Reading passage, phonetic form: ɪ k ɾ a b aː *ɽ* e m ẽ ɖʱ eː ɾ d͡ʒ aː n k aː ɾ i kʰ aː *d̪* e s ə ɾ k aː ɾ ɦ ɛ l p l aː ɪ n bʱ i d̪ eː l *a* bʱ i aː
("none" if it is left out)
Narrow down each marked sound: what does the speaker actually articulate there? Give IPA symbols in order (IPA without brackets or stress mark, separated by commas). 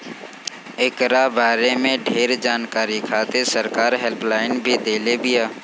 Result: ɾ, t̪, e